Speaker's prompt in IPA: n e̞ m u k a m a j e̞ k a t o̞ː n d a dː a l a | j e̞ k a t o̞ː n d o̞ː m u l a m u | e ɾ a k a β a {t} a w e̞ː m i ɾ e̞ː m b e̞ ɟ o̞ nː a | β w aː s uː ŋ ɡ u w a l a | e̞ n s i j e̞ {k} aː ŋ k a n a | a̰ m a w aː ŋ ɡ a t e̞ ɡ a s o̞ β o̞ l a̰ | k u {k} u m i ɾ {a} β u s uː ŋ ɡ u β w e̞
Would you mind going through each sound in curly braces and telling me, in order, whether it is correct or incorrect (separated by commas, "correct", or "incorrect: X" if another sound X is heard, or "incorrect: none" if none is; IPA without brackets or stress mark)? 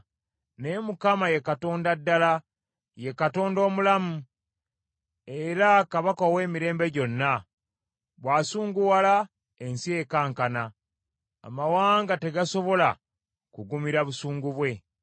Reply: incorrect: k, correct, incorrect: ɡ, correct